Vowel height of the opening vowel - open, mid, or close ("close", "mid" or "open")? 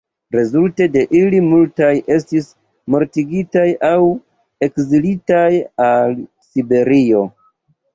mid